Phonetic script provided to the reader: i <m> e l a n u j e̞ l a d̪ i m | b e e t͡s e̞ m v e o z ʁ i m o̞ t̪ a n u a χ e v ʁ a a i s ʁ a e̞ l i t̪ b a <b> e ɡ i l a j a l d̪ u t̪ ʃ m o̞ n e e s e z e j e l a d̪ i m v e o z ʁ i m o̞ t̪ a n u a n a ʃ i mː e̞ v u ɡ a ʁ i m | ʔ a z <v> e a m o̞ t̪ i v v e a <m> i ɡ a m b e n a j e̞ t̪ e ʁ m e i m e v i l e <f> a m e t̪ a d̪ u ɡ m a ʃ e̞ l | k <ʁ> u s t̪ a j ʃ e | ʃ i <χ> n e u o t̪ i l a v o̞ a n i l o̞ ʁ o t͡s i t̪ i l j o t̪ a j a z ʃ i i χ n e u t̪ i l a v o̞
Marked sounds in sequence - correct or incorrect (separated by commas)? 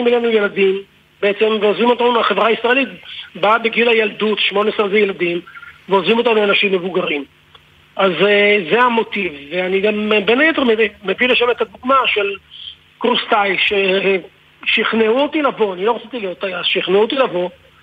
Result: correct, correct, incorrect, incorrect, incorrect, correct, correct